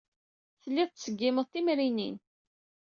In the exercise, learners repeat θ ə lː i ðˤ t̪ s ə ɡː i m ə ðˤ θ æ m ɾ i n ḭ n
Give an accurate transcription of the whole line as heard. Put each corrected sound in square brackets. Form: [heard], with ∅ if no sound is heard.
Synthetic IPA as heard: θ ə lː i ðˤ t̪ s ə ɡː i m ə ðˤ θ [i] m ɾ i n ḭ n